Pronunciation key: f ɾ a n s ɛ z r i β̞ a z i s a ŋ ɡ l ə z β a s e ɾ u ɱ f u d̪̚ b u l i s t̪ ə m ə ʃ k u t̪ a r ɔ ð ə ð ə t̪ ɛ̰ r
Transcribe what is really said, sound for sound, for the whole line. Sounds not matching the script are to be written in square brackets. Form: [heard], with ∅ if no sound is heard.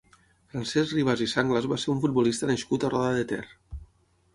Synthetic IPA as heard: f ɾ a n s ɛ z r i β̞ a z i s a ŋ ɡ l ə z β a s e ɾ u ɱ f u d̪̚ b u l i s t̪ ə [n] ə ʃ k u t̪ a r ɔ ð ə ð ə t̪ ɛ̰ r